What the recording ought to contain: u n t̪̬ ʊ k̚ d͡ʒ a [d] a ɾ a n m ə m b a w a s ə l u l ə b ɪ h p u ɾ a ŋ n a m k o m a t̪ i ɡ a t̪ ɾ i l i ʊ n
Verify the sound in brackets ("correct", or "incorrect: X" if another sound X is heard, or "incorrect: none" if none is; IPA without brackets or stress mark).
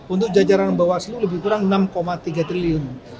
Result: incorrect: d͡ʒ